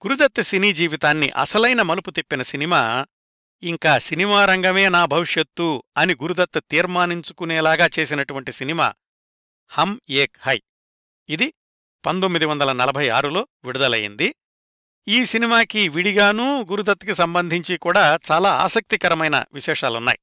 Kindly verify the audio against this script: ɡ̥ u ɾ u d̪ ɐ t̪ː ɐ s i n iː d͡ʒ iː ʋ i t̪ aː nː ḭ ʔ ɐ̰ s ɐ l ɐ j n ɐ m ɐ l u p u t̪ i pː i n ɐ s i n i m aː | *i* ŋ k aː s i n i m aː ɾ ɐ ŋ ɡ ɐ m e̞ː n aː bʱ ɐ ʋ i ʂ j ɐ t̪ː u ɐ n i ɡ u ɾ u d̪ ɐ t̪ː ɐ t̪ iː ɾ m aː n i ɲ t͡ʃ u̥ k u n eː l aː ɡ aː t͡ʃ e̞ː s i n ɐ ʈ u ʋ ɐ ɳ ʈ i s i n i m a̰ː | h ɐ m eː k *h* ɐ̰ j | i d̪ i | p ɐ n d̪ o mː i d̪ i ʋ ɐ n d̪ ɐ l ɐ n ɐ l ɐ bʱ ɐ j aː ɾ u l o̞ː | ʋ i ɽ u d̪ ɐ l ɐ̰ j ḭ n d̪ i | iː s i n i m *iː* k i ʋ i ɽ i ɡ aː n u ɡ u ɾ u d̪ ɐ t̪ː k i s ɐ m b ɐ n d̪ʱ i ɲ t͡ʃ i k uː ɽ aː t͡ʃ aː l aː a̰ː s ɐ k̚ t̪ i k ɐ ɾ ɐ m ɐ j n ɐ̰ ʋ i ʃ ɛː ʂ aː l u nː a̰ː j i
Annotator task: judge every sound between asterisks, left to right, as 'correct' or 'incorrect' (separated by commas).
correct, correct, incorrect